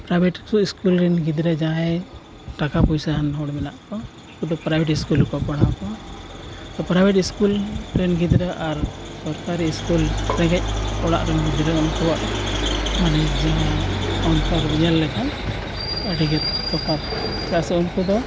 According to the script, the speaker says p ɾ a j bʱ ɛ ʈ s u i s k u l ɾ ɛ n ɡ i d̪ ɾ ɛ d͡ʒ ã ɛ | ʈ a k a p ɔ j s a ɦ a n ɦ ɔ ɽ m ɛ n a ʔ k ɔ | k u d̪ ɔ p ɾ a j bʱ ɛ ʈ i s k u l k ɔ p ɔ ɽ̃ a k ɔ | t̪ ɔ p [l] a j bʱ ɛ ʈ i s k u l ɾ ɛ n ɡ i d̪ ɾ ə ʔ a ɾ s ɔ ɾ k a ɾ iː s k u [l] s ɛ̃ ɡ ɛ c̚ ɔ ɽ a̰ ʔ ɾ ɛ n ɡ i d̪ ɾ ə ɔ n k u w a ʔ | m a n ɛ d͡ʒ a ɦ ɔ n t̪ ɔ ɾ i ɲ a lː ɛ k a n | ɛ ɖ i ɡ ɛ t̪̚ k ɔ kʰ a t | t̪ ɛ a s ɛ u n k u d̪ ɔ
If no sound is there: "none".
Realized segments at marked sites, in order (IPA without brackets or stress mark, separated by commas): ɾ, l